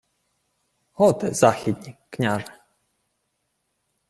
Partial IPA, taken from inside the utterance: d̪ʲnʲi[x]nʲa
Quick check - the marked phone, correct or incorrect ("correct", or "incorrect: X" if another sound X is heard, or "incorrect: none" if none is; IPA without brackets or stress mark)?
incorrect: k